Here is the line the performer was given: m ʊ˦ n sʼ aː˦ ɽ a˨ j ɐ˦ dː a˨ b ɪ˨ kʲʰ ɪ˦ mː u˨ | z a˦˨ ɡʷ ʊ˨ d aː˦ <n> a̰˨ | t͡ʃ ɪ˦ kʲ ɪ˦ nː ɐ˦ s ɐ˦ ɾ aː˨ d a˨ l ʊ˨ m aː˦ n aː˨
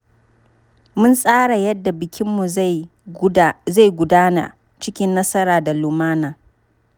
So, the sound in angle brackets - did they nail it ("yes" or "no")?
yes